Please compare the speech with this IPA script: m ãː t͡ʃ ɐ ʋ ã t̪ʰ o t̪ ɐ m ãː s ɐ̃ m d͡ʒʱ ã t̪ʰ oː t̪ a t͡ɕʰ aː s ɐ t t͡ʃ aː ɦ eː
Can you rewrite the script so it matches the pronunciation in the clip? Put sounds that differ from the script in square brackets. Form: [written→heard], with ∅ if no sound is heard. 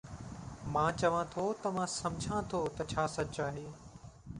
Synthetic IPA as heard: m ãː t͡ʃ ɐ ʋ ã t̪ʰ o t̪ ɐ m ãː s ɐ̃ m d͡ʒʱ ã t̪ʰ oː t̪ [a→ɐ] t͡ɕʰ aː s ɐ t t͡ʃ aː ɦ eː